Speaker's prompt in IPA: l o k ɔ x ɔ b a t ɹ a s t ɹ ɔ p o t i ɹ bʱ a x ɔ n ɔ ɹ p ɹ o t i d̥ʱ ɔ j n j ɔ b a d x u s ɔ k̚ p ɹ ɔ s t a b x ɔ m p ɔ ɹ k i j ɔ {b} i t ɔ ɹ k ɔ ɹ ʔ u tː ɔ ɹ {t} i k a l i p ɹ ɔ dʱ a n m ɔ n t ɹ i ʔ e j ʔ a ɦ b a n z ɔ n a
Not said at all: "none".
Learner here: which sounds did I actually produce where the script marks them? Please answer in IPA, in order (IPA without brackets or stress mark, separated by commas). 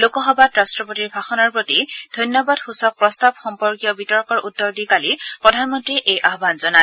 b, d